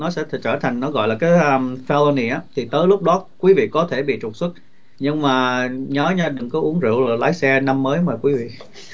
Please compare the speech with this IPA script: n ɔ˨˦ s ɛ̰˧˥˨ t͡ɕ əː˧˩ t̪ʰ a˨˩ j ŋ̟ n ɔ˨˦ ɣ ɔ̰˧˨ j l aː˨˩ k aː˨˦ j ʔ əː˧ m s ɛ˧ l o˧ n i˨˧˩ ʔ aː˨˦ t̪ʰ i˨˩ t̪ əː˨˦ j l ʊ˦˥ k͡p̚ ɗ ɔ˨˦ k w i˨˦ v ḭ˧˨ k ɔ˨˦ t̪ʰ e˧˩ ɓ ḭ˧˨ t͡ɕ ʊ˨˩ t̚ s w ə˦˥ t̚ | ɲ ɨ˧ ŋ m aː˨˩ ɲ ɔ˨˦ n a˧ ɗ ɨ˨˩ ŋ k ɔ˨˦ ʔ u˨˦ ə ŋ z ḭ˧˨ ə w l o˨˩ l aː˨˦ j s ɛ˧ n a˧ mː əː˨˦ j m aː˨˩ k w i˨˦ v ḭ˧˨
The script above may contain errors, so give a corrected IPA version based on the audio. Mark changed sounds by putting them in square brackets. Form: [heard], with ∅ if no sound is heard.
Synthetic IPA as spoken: n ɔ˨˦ s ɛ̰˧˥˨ t͡ɕ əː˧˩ t̪ʰ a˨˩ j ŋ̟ n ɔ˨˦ ɣ ɔ̰˧˨ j l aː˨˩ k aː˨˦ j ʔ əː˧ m [f] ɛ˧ l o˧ n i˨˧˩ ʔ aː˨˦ t̪ʰ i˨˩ t̪ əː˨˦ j l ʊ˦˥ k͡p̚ ɗ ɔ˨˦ k w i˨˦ v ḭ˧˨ k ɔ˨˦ t̪ʰ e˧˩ ɓ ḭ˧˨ t͡ɕ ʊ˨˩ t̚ s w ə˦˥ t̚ | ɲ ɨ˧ ŋ m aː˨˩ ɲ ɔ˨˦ [ɲ] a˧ ɗ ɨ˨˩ ŋ k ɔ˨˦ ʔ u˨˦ ə ŋ z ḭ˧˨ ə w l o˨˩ l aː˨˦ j s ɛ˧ n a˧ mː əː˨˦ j m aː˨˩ k w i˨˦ v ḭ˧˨